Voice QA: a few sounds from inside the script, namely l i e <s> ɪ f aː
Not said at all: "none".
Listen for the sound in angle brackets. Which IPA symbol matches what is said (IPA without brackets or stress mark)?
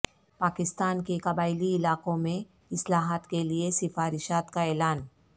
s